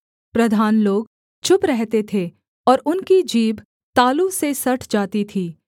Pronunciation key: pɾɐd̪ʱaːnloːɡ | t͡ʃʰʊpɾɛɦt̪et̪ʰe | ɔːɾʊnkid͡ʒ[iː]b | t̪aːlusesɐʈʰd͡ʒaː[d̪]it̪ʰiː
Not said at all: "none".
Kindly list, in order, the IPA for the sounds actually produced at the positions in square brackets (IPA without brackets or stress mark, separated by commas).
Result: iː, t̪